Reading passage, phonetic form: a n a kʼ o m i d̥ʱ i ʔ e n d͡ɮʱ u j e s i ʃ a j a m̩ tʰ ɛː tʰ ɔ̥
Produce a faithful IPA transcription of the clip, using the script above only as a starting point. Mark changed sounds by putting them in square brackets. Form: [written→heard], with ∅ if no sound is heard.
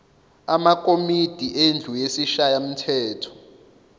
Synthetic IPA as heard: a [n→m] a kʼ o m i d̥ʱ i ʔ e n d͡ɮʱ u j e s i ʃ a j a m̩ tʰ ɛː tʰ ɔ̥